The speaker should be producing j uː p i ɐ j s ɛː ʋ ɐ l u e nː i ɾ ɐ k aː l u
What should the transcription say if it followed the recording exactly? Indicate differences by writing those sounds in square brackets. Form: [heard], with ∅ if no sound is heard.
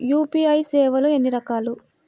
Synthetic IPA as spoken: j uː p i ɐ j s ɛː ʋ ɐ l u e nː i ɾ ɐ k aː l u